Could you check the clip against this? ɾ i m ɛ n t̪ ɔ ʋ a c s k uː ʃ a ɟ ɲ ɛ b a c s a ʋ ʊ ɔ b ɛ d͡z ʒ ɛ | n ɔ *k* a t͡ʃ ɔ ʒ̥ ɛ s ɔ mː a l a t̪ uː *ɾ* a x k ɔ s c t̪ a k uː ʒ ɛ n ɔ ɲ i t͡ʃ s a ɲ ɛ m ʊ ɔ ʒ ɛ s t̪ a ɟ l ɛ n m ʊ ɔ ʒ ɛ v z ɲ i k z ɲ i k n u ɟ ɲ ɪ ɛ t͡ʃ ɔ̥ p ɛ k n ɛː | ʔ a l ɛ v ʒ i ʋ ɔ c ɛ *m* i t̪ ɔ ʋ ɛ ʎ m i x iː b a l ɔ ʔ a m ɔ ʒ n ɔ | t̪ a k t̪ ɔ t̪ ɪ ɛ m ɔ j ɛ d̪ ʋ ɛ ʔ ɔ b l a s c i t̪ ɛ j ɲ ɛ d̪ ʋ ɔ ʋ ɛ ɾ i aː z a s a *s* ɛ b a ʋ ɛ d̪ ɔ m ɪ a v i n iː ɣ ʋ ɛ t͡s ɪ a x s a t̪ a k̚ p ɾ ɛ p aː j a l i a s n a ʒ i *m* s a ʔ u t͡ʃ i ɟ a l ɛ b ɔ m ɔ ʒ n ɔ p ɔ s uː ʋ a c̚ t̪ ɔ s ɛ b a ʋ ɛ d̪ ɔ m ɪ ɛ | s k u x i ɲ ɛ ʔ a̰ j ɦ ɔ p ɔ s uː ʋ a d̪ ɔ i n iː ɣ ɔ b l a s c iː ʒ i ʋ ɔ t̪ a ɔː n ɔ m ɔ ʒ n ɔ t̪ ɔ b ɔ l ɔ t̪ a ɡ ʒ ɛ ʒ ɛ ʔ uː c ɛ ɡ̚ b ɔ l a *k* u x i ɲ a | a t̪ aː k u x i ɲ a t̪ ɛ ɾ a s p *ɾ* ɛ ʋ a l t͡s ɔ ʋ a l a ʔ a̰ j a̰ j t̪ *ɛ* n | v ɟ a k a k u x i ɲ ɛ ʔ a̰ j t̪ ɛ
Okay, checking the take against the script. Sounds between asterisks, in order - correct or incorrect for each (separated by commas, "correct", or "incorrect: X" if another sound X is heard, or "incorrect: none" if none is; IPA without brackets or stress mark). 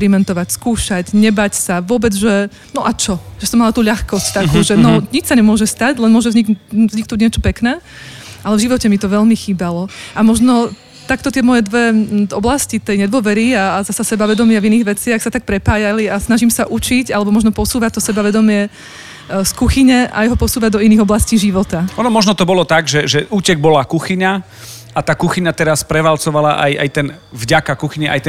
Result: incorrect: ʔ, incorrect: ʎ, correct, correct, correct, correct, correct, correct